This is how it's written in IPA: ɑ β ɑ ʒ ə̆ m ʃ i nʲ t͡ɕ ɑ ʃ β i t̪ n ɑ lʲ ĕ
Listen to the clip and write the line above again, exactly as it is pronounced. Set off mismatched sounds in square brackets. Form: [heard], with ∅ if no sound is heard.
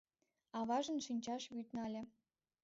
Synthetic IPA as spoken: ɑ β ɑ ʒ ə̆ [n] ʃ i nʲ t͡ɕ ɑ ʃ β [y] t̪ n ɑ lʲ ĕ